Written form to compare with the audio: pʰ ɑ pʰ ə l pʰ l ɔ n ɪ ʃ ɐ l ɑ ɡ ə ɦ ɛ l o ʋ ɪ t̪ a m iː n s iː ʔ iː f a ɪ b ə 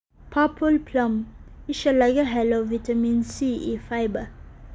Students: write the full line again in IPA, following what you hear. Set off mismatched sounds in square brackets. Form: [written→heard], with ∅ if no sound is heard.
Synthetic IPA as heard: pʰ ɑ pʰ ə l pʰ l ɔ [n→m] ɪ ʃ [ɐ→ə] l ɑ ɡ ə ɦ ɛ l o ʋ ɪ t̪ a m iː n s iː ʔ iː f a ɪ b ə